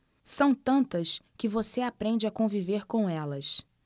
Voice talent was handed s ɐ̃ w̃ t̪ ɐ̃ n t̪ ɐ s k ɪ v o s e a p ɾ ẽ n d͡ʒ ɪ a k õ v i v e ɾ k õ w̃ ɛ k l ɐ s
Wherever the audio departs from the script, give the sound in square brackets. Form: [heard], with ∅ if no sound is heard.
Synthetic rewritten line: s ɐ̃ w̃ t̪ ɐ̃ n t̪ ɐ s k ɪ v o s e a p ɾ ẽ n d͡ʒ ɪ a k õ v i v e ɾ k õ w̃ ɛ [∅] l ɐ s